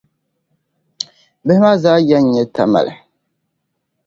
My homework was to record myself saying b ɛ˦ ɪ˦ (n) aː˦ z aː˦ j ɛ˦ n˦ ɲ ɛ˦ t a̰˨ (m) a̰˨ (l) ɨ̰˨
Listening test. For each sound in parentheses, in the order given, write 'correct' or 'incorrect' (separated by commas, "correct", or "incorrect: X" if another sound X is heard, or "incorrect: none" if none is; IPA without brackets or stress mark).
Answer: incorrect: m, correct, correct